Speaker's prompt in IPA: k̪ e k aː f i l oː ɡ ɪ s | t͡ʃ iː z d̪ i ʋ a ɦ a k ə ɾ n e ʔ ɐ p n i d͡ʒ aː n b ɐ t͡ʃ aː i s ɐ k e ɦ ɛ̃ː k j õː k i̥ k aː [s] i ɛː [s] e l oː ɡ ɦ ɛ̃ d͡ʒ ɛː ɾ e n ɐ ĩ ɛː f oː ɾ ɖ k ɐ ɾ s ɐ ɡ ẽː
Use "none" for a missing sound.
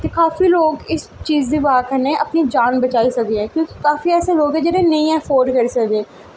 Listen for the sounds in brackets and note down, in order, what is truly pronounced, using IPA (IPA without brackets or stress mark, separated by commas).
f, s